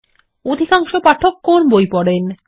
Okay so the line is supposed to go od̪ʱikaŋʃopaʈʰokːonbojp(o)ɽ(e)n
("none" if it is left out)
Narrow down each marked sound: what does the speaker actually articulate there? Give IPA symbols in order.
ɔ, e

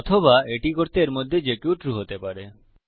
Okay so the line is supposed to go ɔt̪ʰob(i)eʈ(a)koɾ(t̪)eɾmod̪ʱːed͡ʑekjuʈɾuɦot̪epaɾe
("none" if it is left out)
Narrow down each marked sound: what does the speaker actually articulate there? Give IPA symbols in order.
a, i, t̪

